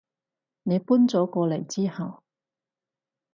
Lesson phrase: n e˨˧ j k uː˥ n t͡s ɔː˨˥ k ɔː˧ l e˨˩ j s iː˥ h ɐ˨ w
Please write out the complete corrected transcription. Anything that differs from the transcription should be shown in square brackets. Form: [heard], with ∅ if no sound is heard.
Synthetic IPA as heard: n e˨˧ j [p] uː˥ n t͡s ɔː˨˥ k ɔː˧ l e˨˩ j [t͡s] iː˥ h ɐ˨ w